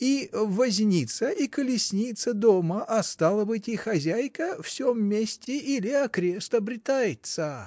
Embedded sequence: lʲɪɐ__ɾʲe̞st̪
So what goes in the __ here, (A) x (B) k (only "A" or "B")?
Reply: B